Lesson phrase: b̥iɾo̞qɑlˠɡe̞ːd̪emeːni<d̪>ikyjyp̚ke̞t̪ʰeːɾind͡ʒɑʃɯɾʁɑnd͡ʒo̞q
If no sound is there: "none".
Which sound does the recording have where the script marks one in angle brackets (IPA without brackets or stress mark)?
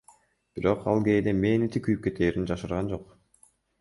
t̪